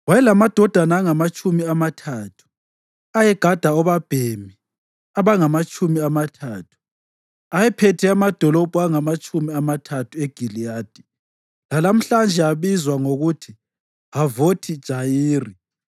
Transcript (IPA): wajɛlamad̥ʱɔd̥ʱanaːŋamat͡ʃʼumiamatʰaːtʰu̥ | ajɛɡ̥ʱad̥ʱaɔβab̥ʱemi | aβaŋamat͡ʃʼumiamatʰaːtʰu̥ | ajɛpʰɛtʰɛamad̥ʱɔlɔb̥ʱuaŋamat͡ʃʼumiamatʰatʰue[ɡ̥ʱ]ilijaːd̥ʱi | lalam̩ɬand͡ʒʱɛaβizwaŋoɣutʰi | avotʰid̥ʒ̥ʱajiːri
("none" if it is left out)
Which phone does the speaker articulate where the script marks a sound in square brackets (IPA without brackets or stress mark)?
ɡ̥ʱ